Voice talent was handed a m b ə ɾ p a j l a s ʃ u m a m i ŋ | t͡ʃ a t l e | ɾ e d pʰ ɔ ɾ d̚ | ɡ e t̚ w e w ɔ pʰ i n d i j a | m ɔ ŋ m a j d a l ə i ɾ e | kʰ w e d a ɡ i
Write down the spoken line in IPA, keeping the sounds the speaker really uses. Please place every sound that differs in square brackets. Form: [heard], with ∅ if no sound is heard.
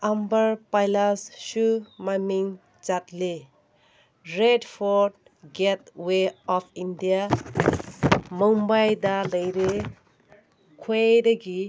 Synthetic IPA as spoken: a m b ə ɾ p a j l a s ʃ u m a m i ŋ | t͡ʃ a t l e | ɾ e d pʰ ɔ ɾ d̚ | ɡ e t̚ w e [∅] ɔ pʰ i n d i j a | m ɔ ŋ [b] a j d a l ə [j] ɾ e | kʰ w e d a ɡ i